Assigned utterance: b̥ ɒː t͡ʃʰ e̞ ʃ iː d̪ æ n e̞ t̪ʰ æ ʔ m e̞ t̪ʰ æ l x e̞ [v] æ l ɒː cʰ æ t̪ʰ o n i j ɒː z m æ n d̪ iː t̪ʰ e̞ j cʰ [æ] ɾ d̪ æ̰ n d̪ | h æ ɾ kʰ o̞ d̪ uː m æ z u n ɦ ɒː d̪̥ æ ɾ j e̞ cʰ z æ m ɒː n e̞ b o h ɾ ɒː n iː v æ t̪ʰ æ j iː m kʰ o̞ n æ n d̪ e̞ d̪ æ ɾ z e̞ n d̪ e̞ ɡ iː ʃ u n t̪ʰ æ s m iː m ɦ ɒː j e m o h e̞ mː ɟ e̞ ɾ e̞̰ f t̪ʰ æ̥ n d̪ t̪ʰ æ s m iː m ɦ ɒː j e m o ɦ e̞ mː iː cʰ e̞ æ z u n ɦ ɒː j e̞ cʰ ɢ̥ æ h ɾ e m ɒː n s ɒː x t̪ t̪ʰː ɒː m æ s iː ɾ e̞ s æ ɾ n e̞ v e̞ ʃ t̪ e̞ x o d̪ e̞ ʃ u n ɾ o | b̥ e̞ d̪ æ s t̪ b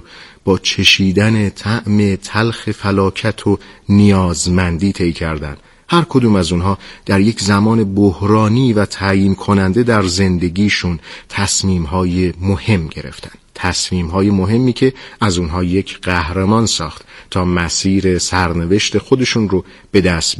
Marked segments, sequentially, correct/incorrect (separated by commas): incorrect, correct